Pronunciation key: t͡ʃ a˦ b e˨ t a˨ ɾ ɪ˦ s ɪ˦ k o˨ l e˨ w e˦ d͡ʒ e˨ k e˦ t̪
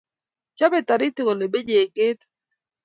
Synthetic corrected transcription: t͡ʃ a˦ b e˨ t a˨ ɾ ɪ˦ t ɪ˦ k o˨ l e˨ b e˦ d͡ʒ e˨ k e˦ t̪